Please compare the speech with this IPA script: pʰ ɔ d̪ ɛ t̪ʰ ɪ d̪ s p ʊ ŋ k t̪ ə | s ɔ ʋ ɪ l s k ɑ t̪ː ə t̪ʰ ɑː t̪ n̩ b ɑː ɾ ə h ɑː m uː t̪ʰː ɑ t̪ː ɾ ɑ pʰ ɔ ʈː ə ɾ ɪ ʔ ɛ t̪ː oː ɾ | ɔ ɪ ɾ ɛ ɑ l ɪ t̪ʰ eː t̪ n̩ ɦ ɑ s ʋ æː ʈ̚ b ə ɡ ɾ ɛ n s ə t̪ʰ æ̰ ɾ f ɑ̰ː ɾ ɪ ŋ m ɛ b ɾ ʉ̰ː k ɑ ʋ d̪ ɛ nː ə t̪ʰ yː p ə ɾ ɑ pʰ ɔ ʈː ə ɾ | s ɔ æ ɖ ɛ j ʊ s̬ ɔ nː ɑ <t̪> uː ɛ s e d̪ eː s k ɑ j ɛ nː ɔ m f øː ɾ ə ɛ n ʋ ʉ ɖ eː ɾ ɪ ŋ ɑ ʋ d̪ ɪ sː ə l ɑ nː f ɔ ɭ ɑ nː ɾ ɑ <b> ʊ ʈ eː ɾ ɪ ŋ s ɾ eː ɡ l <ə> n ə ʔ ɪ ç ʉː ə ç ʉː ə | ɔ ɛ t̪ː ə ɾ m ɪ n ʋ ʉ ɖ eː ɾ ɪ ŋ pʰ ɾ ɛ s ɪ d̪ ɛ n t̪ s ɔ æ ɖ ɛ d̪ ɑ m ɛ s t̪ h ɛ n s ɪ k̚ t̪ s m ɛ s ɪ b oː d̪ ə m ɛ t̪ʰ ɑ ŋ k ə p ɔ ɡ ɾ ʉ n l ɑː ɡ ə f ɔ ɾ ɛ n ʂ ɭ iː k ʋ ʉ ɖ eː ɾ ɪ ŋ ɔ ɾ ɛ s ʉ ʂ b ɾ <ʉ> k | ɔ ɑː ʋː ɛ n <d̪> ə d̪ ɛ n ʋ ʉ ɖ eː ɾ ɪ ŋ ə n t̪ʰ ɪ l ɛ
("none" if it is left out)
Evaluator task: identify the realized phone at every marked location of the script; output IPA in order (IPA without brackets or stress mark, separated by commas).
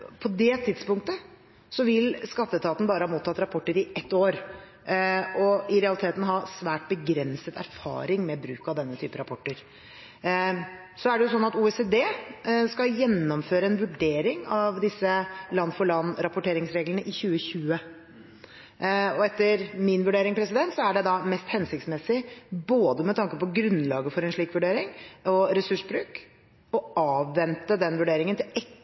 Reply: t̪, p, ə, ʉː, t̪